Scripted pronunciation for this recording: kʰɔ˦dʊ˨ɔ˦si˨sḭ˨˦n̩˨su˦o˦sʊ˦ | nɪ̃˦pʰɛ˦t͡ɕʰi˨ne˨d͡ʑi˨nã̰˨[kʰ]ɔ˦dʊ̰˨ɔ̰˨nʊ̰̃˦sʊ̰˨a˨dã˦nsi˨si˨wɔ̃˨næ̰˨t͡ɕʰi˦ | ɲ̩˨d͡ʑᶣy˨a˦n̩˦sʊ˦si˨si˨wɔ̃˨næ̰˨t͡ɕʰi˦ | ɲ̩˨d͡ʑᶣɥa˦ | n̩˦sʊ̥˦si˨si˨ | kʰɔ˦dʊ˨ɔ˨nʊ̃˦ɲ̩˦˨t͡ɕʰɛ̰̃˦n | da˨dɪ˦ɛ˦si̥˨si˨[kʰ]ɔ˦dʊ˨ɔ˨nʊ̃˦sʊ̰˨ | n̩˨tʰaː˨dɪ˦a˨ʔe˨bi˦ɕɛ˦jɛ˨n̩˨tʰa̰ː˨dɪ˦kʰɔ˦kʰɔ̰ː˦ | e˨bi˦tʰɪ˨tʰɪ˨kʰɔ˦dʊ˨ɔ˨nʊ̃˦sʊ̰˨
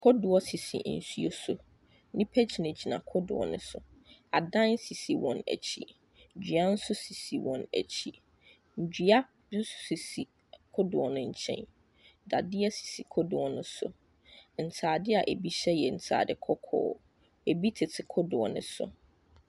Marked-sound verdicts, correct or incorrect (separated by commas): correct, correct